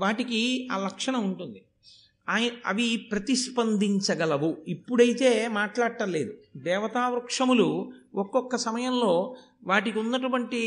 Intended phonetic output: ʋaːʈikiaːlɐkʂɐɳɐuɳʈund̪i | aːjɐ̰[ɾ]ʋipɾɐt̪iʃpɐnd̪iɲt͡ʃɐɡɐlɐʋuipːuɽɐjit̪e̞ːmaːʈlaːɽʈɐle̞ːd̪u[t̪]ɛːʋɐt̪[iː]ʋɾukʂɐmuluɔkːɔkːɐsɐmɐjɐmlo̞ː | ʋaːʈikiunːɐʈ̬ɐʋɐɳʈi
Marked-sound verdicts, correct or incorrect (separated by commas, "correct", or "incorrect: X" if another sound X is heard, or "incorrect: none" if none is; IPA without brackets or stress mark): incorrect: none, incorrect: d̪, incorrect: aː